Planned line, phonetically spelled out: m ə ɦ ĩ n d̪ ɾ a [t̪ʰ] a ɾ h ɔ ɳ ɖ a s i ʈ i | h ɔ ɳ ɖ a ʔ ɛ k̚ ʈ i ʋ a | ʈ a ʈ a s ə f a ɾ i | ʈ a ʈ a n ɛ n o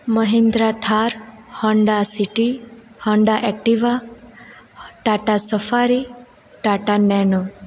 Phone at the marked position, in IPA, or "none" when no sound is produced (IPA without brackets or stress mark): t̪ʰ